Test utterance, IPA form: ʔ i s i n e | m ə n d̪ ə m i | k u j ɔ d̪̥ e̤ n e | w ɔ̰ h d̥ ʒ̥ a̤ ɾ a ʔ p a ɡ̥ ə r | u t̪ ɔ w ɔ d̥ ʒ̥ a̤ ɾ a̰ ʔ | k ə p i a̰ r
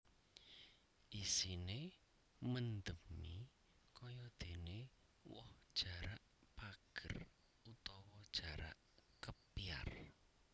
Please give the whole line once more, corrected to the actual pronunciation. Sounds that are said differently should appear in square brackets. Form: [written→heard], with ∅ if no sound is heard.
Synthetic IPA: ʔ i s i n e | m ə n d̪ ə m i | k [u→ɔ] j ɔ d̪̥ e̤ n e | w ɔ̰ h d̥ ʒ̥ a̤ ɾ a ʔ p a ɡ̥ ə r | u t̪ ɔ w ɔ d̥ ʒ̥ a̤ ɾ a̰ ʔ | k ə p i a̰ r